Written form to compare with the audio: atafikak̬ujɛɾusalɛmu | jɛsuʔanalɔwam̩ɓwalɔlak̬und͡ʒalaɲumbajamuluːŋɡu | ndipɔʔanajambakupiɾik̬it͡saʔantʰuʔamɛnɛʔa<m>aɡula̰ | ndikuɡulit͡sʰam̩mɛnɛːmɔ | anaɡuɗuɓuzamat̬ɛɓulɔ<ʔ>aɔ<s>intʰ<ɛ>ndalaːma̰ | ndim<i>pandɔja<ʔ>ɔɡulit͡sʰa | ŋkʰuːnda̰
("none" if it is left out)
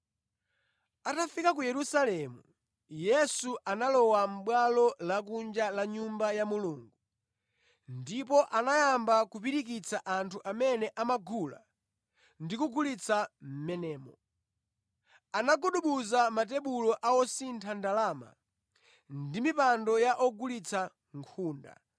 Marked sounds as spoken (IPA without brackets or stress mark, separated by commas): m, ʔ, s, a, i, ʔ